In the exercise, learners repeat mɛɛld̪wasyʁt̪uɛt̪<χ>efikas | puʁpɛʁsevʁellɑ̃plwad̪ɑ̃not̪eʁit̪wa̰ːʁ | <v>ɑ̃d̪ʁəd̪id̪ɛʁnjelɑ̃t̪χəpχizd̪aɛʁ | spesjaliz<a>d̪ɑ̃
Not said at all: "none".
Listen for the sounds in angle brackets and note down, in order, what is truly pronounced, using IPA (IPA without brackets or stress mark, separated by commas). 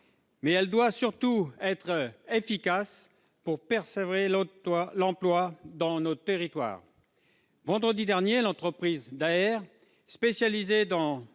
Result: χ, v, e